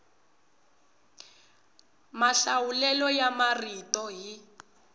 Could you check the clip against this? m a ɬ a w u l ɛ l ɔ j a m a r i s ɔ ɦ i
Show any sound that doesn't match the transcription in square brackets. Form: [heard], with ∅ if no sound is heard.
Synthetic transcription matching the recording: m a ɬ a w u l ɛ l ɔ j a m a r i [t] ɔ ɦ i